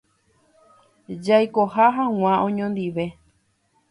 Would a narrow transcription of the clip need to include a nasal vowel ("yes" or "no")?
yes